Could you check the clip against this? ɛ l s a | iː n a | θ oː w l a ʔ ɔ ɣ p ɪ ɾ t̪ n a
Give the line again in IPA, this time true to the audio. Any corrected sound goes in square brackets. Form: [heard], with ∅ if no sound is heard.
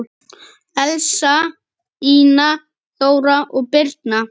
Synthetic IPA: ɛ l s a | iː n a | θ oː w [ɾ] a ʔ ɔ ɣ p ɪ ɾ t̪ n a